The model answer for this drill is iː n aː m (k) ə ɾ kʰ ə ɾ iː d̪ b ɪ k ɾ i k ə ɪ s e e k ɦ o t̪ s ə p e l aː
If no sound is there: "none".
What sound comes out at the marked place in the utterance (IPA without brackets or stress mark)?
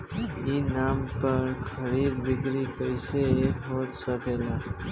p